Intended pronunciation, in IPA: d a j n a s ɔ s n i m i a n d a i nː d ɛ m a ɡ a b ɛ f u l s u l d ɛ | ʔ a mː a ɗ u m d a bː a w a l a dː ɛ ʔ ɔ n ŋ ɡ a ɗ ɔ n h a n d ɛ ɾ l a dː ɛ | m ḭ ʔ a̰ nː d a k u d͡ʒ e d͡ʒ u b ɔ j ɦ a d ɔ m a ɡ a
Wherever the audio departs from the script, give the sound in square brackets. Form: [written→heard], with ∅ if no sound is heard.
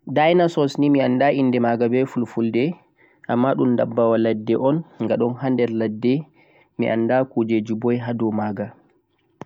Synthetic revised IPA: d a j n a s ɔ s n i m i a n d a i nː d ɛ m a ɡ a b ɛ f u l [s→f] u l d ɛ | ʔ a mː a ɗ u m d a bː a w a l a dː ɛ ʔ ɔ n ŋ ɡ a ɗ ɔ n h a n d ɛ ɾ l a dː ɛ | m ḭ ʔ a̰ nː d a k u d͡ʒ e d͡ʒ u b ɔ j ɦ a d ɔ m a ɡ a